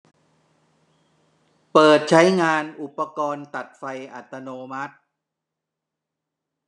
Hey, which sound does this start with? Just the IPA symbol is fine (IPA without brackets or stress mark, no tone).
p